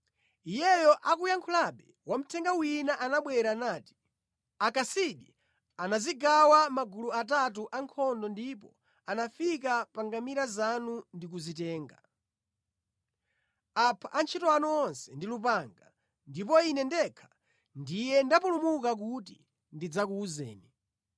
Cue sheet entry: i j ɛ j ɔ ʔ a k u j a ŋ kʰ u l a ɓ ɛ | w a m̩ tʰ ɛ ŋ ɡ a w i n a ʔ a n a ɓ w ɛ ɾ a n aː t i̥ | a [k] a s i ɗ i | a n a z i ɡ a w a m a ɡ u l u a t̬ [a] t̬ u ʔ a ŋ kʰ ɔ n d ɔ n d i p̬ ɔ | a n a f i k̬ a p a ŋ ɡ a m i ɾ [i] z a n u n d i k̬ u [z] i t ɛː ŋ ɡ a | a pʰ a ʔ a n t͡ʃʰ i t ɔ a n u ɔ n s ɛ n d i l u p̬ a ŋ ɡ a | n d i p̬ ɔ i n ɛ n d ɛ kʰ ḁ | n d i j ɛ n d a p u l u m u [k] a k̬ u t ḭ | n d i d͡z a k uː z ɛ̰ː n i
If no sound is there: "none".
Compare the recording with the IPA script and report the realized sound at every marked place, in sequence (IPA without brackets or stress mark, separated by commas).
k, a, a, z, k